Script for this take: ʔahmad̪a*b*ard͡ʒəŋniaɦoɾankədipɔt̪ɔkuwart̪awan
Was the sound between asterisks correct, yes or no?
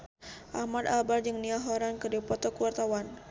yes